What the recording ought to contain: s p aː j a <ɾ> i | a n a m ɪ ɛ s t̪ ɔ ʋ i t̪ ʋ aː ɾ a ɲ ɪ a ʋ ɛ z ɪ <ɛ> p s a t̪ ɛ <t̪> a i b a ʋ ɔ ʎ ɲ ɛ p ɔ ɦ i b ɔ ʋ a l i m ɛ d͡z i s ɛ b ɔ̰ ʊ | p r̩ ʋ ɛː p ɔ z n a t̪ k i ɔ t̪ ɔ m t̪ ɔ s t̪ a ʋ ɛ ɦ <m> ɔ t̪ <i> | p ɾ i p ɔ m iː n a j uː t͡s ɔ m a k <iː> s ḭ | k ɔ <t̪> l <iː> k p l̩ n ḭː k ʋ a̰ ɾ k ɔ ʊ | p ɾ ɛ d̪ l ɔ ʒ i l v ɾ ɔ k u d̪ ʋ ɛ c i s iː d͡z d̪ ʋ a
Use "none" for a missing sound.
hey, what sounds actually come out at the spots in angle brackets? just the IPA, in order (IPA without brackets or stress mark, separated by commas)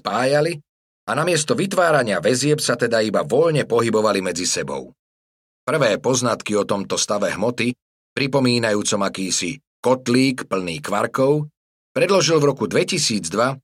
l, ɛ, d̪, m, i, iː, t̪, iː